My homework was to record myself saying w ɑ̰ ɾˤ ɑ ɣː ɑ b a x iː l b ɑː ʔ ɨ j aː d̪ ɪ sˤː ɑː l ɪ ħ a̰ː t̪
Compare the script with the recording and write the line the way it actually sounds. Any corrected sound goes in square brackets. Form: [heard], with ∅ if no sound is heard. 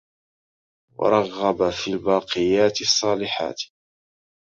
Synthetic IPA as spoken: w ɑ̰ ɾˤ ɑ ɣː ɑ b a [f] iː l b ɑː [q] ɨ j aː [t̪] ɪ sˤː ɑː l ɪ ħ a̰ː t̪